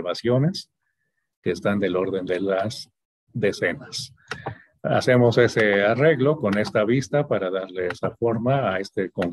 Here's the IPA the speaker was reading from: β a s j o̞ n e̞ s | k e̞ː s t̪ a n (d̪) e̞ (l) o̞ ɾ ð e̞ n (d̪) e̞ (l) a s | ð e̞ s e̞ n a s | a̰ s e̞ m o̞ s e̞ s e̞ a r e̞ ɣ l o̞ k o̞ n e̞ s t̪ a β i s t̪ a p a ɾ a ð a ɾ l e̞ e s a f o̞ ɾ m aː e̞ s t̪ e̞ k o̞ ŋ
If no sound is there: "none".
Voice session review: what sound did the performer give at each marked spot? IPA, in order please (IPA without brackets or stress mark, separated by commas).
d̪, l, d̪, l